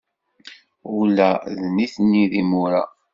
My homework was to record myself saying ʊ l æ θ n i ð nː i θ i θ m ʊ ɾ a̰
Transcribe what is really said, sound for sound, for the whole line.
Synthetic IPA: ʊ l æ ð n i θ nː i ð i m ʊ ɾ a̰